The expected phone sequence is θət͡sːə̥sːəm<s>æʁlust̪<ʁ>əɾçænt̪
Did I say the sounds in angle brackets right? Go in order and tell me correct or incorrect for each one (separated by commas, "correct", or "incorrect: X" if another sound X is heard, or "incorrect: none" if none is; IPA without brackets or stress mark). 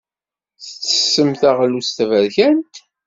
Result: incorrect: θ, incorrect: v